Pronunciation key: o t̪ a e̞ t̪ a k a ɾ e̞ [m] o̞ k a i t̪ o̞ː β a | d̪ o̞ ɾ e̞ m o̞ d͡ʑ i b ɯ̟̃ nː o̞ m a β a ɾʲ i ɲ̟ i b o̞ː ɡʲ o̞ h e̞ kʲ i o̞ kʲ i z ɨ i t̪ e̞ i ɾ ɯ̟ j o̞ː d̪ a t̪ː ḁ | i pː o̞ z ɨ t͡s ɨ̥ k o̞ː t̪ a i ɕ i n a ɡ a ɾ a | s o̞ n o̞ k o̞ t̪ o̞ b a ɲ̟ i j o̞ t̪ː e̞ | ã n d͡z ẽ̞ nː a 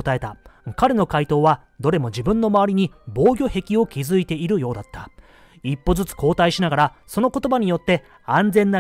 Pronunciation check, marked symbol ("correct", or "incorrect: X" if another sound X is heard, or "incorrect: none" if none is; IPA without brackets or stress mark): incorrect: n